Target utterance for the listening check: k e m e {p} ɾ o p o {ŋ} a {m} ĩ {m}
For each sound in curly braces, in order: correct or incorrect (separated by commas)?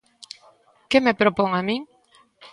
correct, correct, correct, incorrect